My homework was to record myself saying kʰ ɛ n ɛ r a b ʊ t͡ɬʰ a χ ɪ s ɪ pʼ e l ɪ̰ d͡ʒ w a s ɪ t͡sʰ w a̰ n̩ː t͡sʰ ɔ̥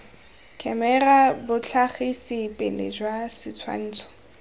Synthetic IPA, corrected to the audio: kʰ ɛ m ɛ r a b ʊ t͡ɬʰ a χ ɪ s ɪ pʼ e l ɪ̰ d͡ʒ w a s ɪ t͡sʰ w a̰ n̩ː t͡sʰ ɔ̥